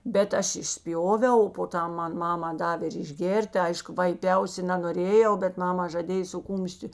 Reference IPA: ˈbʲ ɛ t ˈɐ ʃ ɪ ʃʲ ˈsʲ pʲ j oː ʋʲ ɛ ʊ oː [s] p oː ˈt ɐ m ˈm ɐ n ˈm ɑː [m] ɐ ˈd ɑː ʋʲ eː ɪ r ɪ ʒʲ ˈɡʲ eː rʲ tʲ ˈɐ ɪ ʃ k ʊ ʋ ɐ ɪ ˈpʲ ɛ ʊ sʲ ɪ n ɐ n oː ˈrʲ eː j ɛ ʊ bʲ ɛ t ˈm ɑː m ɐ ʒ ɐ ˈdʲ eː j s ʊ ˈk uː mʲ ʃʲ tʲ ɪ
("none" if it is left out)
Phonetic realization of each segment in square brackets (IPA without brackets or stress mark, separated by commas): none, m